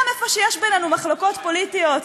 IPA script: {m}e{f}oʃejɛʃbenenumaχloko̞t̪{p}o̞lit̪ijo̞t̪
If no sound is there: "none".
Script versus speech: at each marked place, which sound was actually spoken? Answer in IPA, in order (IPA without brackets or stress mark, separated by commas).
m, f, p